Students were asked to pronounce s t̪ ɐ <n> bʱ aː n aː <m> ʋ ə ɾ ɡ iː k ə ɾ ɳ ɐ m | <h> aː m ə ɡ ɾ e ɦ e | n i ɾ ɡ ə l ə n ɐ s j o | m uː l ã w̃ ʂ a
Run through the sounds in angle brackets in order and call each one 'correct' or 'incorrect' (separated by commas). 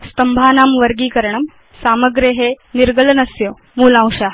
incorrect, correct, incorrect